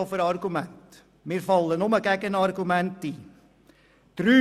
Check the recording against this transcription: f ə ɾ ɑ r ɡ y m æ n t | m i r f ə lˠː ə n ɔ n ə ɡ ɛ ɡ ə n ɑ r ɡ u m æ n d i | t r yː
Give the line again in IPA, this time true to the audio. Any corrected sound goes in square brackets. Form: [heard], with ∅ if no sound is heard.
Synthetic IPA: f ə ɾ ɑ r ɡ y m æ n t | m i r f [ɑ] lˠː ə n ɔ [m] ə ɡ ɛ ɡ ə n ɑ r ɡ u m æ n [t] i | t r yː